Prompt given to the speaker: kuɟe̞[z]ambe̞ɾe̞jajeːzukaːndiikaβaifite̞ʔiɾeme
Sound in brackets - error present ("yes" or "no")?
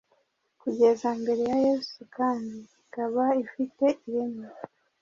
no